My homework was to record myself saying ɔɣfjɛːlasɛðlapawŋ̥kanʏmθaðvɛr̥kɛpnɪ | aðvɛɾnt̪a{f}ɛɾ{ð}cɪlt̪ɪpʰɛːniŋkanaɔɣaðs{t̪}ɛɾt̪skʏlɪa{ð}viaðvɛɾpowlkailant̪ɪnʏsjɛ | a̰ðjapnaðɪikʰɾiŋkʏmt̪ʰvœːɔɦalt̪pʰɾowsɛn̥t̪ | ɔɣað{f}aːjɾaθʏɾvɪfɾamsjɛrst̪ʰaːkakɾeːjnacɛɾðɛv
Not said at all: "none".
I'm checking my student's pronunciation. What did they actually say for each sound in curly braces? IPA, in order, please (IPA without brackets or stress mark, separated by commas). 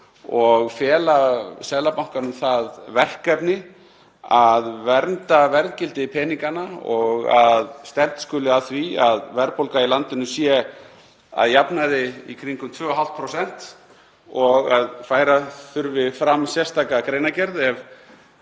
v, ð, t̪, θ, f